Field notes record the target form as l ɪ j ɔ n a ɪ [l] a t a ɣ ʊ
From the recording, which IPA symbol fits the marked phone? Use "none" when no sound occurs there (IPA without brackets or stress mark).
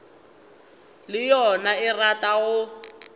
r